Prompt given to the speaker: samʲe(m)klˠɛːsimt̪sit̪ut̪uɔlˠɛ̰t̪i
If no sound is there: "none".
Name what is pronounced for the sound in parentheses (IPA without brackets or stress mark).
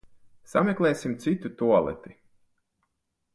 none